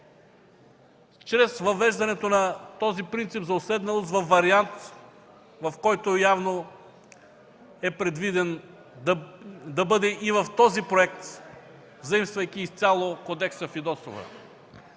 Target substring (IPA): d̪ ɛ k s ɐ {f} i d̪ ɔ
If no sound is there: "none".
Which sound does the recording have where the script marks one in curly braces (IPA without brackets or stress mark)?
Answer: f